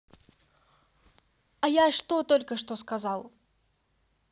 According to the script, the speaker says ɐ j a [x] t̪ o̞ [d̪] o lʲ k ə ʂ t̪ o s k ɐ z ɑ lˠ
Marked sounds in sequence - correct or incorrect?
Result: incorrect: ʂ, incorrect: t̪

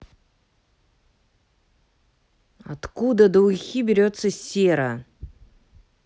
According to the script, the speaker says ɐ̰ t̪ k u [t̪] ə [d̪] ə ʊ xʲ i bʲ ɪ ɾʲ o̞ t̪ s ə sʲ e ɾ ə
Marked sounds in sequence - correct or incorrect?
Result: incorrect: d̪, correct

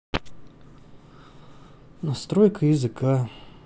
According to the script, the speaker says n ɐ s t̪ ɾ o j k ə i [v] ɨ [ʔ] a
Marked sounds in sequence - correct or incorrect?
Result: incorrect: z, incorrect: k

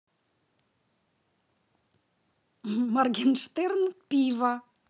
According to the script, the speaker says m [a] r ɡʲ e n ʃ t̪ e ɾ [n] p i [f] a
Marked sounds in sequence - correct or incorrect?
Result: correct, correct, incorrect: v

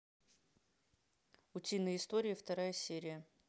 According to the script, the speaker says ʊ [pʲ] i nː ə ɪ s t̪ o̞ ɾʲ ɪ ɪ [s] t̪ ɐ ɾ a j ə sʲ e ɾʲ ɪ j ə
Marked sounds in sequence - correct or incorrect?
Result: incorrect: tʲ, incorrect: f

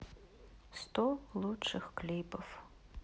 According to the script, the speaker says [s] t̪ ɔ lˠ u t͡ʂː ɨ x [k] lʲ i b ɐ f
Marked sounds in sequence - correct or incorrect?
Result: correct, correct

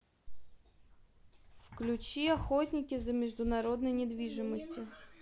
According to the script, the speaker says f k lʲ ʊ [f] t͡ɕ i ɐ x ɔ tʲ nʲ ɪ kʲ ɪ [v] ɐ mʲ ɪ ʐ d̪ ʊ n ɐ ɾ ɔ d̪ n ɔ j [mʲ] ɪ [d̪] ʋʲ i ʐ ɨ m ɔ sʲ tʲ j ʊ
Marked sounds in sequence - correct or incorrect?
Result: incorrect: none, incorrect: z, incorrect: nʲ, correct

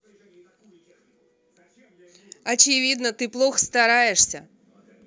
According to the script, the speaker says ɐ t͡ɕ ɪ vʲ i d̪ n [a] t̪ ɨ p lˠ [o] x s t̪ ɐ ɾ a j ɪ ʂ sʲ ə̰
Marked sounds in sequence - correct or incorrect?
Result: incorrect: ə, correct

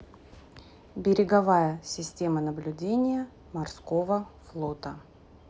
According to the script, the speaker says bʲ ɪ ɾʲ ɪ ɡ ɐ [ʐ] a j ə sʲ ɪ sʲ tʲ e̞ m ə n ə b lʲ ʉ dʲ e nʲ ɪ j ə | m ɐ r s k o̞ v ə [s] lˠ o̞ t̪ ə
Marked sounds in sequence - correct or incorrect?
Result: incorrect: v, incorrect: f

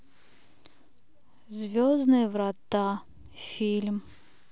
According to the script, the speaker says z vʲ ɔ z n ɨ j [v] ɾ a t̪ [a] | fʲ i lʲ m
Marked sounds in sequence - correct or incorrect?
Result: correct, correct

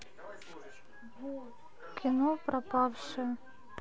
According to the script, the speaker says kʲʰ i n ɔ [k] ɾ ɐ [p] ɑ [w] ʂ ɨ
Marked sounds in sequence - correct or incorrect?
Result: incorrect: p, correct, correct

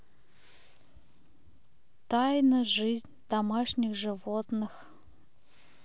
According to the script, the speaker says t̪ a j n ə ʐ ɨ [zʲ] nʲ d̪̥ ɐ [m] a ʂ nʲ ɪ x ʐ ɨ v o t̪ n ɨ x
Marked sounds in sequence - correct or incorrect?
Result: correct, correct

